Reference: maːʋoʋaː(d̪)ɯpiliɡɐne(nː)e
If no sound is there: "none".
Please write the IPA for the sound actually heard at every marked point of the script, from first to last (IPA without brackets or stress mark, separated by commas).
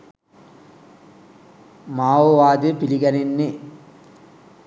d̪, nː